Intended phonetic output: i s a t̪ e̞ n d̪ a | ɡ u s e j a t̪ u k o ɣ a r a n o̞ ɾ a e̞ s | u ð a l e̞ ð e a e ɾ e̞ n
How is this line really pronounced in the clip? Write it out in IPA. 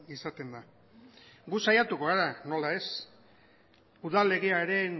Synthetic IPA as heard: i s a t̪ e̞ n d̪ a | ɡ u s a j a t̪ u k o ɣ a ɾ a n o̞ l a e̞ s | u ð a l e̞ ɣ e a e ɾ e̞ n